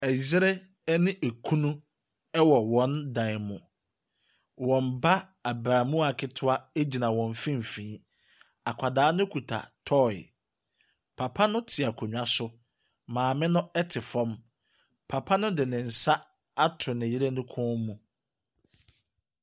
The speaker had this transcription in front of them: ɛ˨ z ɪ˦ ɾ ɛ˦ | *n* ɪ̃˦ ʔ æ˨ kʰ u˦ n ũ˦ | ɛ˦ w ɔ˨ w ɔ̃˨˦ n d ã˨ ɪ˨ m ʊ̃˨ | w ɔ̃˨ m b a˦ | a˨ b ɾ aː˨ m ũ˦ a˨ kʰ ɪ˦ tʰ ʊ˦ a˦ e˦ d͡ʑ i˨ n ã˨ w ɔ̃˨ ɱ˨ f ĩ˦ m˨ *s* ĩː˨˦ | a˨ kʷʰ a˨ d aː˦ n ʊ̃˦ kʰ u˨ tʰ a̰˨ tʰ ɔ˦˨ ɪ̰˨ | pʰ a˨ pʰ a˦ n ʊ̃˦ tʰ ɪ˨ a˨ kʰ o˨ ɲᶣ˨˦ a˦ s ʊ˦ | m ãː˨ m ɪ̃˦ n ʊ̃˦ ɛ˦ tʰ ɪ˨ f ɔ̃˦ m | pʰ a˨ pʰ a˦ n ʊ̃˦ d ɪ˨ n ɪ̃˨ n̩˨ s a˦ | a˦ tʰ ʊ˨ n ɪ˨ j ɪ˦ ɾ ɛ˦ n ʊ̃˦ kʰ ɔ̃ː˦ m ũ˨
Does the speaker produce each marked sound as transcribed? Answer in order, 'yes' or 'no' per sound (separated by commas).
yes, no